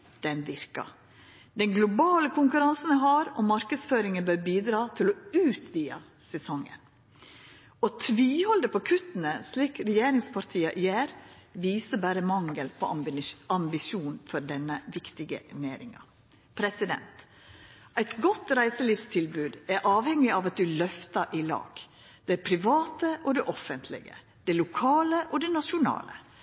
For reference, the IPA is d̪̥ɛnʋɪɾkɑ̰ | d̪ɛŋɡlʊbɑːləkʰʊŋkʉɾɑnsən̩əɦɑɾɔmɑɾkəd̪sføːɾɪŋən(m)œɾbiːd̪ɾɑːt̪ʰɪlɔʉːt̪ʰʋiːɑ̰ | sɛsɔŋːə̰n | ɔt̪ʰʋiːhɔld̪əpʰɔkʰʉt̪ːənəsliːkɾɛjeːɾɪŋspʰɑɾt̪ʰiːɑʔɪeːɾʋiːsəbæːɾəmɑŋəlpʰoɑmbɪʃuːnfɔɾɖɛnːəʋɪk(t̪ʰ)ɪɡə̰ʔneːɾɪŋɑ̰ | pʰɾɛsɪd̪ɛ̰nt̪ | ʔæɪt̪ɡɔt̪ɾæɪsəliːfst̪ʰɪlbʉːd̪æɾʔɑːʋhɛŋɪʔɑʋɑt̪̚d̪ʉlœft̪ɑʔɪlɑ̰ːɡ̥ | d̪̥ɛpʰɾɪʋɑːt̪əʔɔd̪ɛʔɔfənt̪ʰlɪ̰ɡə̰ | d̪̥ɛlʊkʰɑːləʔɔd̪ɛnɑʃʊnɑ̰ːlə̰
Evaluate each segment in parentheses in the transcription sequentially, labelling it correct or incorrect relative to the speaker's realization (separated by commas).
incorrect, incorrect